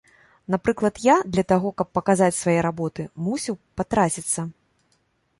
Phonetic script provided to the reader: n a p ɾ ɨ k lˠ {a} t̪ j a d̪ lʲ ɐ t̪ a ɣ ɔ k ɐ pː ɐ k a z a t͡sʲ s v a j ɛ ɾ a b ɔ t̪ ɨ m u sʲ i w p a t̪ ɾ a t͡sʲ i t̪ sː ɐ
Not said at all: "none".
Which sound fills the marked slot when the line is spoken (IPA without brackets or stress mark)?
ɐ